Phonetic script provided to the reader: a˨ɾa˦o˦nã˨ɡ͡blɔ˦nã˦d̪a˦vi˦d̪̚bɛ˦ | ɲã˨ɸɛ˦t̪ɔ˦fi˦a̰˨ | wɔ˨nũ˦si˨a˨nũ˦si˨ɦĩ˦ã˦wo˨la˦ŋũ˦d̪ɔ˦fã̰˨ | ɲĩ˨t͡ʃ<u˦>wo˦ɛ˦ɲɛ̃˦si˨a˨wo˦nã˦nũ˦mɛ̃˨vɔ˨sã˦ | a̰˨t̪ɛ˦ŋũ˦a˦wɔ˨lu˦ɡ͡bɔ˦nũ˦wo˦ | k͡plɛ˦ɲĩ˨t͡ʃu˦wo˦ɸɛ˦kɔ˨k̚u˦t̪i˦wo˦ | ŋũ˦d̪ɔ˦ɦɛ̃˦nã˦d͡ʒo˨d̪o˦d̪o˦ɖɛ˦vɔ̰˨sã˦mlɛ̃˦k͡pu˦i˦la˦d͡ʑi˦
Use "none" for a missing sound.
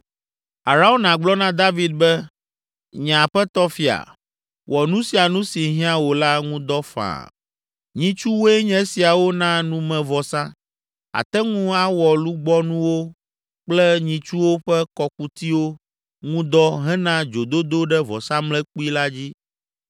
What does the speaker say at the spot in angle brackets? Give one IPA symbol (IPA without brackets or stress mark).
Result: u˦